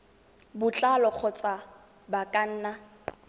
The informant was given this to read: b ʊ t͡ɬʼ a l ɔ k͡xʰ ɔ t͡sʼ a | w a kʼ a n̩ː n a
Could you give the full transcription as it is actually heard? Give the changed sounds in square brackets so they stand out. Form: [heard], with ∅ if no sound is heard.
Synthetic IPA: b ʊ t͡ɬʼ a l ɔ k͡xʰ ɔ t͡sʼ a | [b] a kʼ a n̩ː n a